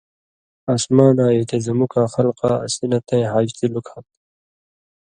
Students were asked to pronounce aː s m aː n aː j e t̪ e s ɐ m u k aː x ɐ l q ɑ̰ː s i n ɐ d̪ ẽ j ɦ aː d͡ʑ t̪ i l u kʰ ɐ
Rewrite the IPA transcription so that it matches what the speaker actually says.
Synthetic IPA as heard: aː s m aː n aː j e t̪ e z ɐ m u k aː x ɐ l q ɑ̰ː s i n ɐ t̪ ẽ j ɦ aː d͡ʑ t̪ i l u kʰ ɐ